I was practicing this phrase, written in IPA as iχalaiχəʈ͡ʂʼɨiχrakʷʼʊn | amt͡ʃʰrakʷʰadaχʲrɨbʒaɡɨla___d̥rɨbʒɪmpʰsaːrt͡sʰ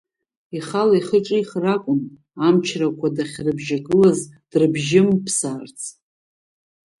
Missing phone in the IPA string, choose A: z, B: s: A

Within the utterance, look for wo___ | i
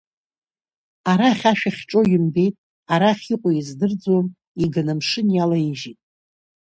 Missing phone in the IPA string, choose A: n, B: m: B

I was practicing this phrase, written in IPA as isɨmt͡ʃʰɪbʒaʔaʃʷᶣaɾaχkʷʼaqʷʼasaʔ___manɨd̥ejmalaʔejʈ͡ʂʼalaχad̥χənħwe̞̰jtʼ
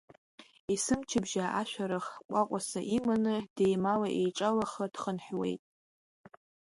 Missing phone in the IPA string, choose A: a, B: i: B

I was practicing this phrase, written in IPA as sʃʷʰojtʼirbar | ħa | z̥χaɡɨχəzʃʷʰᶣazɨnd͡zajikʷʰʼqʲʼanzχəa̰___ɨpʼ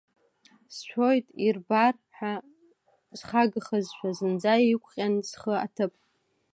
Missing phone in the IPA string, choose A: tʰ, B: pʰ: A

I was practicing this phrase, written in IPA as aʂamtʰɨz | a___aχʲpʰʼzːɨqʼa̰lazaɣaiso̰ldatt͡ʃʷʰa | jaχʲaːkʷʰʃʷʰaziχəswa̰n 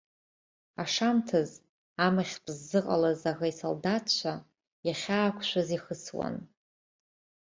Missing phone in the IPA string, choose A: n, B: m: B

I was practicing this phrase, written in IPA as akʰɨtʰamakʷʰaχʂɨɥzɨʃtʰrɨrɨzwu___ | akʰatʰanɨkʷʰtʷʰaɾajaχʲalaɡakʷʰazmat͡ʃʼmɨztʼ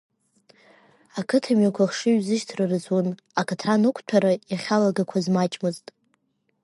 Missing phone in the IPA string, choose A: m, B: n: B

